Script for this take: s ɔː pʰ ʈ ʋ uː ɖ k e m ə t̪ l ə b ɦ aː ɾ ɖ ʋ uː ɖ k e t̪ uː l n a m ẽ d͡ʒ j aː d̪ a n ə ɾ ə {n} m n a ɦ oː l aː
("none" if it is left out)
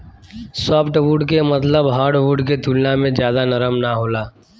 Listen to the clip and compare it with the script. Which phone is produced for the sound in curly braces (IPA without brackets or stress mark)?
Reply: none